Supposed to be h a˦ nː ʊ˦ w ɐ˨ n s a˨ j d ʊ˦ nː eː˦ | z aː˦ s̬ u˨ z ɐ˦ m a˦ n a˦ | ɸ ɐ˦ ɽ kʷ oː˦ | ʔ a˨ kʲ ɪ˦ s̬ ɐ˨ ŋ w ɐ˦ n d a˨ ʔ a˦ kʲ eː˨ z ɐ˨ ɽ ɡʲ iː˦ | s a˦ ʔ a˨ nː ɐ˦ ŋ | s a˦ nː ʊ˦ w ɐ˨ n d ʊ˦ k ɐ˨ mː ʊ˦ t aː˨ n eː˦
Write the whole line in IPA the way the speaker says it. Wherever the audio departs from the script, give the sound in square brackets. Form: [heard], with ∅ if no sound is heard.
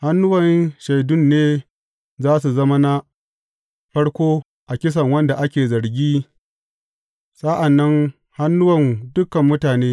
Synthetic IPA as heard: h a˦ nː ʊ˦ w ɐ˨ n [ʃ] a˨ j d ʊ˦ nː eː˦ | z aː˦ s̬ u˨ z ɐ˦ m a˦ n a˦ | ɸ ɐ˦ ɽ kʷ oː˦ | ʔ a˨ kʲ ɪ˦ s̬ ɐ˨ ŋ w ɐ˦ n d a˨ ʔ a˦ kʲ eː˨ z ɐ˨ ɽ ɡʲ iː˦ | s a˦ ʔ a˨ nː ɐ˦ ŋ | [h] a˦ nː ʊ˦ w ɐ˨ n d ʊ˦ k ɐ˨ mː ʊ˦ t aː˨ n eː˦